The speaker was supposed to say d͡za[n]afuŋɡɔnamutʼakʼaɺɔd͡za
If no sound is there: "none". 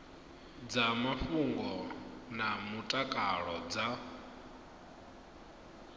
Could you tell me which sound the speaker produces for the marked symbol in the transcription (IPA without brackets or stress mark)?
m